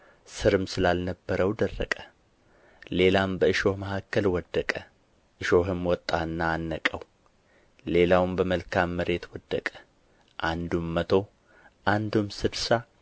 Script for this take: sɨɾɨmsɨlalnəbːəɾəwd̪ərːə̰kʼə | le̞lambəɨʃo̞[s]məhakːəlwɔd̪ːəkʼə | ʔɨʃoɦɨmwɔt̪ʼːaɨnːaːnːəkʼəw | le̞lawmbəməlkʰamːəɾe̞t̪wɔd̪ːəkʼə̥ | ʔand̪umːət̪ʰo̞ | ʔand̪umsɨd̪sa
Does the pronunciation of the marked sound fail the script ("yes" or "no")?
yes